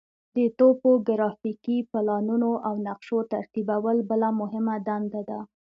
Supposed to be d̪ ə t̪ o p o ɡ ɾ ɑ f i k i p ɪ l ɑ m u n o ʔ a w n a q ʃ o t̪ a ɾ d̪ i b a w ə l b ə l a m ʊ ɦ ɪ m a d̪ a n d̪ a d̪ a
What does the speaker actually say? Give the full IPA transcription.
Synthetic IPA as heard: d̪ ə t̪ o p o ɡ ɾ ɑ f i k i p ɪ l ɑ n u n o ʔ a w n a q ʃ o t̪ a ɾ t̪ i b a w ə l b ə l a m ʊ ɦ ɪ m a d̪ a n d̪ a d̪ a